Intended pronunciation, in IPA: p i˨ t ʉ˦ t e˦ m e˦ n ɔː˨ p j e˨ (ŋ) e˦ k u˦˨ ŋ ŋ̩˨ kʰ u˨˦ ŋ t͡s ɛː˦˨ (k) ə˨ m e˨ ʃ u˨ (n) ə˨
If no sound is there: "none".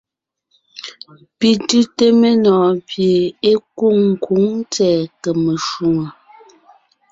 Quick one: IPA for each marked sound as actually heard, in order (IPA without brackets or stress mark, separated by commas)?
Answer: none, k, ŋ